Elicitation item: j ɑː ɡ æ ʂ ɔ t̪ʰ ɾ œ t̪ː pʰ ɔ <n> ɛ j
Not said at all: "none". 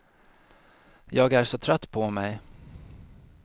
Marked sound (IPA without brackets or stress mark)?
m